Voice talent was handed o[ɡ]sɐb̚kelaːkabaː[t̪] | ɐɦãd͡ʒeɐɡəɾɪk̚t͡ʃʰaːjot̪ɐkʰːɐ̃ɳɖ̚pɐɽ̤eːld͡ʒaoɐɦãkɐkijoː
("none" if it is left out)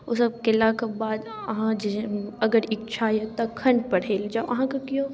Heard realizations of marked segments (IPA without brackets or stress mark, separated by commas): none, d̪